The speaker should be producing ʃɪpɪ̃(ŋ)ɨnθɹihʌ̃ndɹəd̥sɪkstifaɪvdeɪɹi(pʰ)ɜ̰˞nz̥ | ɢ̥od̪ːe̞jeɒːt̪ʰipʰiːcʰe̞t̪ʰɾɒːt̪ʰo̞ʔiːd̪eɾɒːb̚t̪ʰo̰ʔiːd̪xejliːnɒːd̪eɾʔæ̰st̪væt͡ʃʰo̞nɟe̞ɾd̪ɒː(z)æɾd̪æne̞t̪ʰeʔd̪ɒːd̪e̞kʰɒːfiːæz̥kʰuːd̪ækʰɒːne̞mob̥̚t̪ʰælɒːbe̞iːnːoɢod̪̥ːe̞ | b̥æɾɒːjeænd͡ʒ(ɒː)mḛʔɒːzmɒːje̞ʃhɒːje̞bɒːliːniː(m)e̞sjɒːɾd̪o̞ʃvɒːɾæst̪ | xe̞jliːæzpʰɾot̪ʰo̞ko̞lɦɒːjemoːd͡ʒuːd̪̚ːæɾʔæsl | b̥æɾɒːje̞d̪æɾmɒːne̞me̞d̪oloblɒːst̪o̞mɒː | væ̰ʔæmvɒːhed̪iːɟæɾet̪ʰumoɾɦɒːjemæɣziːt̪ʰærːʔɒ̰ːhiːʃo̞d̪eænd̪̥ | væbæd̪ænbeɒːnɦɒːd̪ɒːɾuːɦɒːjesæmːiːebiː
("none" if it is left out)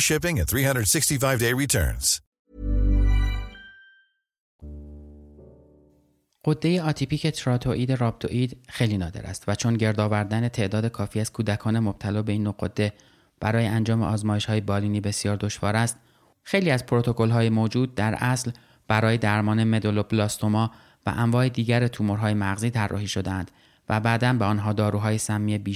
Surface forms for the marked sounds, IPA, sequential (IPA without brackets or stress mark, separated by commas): ŋ, tʰ, v, ɒː, b